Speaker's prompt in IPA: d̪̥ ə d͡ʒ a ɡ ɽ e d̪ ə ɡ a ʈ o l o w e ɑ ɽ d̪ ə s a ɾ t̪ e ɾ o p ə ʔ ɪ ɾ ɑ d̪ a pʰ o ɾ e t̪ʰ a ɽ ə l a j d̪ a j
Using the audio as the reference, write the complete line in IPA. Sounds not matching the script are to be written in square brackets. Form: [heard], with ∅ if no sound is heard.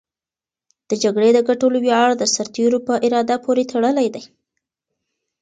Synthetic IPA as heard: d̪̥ ə d͡ʒ a ɡ ɽ e d̪ ə ɡ a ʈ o l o w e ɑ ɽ d̪ ə s a ɾ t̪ e ɾ o p ə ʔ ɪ ɾ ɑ d̪ a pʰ o ɾ e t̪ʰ a ɽ ə l a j d̪ a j